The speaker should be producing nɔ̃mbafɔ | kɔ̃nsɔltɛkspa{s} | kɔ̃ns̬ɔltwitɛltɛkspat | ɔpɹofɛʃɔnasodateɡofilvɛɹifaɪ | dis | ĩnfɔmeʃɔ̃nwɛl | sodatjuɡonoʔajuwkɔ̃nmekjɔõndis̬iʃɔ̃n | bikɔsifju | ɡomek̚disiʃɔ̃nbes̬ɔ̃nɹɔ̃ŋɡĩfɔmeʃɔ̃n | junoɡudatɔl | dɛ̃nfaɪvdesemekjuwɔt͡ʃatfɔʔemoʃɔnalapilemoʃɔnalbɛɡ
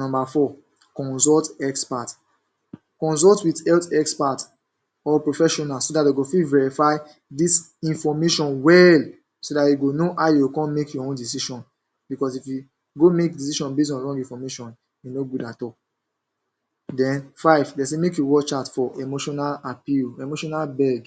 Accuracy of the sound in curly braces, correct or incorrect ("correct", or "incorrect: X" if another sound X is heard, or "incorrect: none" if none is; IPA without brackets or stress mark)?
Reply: incorrect: t